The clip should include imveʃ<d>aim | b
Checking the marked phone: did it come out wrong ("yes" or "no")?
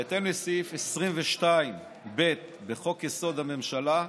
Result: yes